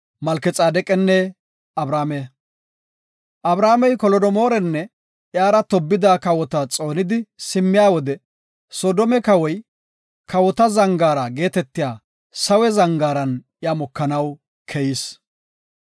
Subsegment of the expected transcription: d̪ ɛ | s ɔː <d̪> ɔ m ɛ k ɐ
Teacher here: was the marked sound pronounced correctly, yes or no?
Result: yes